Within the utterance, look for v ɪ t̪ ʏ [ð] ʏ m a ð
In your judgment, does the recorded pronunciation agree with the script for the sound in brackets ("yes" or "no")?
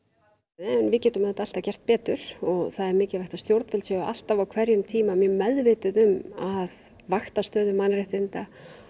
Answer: yes